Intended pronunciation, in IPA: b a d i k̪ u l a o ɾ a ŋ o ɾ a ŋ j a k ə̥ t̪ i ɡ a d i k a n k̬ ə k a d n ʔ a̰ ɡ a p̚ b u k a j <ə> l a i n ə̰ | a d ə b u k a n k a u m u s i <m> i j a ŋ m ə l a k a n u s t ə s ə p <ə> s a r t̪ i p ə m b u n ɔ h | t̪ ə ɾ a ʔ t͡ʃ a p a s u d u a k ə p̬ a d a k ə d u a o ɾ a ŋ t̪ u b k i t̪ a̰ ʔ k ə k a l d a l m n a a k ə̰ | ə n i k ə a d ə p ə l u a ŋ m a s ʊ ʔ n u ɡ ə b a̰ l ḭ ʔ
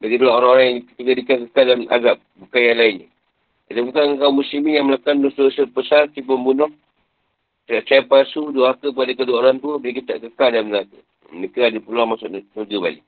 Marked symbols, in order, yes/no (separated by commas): no, yes, yes